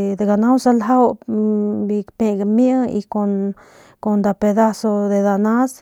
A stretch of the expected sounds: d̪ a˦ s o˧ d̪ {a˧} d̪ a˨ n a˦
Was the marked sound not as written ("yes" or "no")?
yes